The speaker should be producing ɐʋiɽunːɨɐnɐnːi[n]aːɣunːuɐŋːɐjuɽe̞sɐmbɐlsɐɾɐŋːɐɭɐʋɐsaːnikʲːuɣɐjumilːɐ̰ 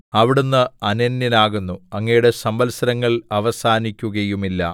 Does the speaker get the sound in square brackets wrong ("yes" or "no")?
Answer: no